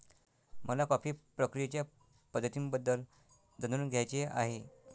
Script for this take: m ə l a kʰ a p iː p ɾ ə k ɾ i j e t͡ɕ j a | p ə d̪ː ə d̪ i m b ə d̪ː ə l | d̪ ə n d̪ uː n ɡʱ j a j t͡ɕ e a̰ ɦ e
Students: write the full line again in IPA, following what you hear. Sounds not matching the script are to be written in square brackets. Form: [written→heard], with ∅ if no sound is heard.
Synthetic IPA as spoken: m ə l a [kʰ→k] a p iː p ɾ ə k ɾ i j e t͡ɕ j a | p ə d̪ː ə [d̪→t̪] i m b ə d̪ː ə l | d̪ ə n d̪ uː n ɡʱ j a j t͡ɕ e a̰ ɦ e

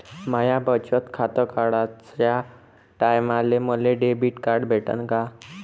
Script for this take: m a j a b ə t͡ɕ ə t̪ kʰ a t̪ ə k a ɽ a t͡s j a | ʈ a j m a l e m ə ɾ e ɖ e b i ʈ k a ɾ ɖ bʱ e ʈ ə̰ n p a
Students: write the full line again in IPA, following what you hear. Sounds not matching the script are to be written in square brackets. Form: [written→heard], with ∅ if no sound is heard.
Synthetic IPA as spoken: m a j a b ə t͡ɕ ə t̪ kʰ a t̪ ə k a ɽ a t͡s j a | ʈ a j m a l e m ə [ɾ→l] e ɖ e b i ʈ k a ɾ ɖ bʱ e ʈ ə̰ n [p→k] a

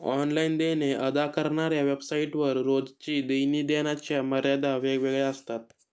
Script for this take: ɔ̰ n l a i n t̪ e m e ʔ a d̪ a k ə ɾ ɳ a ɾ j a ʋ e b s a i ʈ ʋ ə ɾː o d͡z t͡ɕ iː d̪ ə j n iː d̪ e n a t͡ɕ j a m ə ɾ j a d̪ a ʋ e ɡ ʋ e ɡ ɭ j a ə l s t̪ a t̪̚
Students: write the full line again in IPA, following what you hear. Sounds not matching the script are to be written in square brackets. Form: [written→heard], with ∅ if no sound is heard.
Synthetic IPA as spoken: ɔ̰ n l a i n [t̪→d̪] e [m→n] e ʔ [a→ə] d̪ a k ə ɾ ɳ a ɾ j a ʋ e b s a i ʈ ʋ ə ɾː o d͡z t͡ɕ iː d̪ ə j n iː d̪ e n a t͡ɕ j a m ə ɾ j a d̪ a ʋ e ɡ ʋ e ɡ ɭ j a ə [l→∅] s t̪ a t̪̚

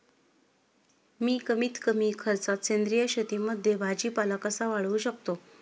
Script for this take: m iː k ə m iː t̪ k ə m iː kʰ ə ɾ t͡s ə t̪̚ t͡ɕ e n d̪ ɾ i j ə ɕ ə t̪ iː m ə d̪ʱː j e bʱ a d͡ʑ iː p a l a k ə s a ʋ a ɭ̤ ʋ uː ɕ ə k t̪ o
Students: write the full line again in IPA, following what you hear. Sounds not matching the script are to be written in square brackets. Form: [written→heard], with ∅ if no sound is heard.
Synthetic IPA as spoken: m iː k ə m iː t̪ k ə m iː kʰ ə ɾ t͡s [ə→a] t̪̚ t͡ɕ e n d̪ ɾ i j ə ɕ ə t̪ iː m ə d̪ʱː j e bʱ a d͡ʑ iː p a l a k ə s a ʋ a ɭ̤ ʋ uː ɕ ə k t̪ o

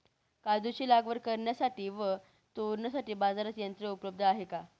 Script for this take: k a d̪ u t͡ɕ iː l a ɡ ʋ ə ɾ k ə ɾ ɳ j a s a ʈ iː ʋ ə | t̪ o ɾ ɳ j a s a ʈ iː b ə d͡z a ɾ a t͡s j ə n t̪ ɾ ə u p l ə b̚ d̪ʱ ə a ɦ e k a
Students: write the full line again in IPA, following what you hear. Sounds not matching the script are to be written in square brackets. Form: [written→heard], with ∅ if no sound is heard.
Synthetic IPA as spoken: k a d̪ u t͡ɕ iː l a ɡ ʋ ə ɾ k ə ɾ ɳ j a s a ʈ iː ʋ ə | t̪ o ɾ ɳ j a s a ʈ iː b [ə→a] d͡z a ɾ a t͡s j ə n t̪ ɾ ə u p l ə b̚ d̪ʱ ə a ɦ e k a

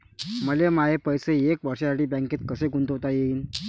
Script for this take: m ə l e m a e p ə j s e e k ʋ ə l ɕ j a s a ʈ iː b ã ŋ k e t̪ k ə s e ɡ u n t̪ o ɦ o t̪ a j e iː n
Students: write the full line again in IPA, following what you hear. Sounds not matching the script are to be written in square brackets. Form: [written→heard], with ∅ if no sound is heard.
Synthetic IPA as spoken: m ə l e m a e p ə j s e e k ʋ ə [l→ɾ] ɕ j a s a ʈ iː b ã ŋ k e t̪ k ə s e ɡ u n t̪ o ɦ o t̪ a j e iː n

